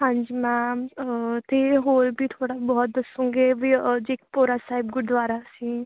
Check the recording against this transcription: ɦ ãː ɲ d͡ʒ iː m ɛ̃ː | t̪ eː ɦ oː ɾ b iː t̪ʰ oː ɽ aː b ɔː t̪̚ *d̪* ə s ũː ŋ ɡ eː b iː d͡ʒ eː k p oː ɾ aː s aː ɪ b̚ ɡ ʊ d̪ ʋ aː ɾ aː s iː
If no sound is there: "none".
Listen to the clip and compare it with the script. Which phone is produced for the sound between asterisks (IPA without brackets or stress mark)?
d̪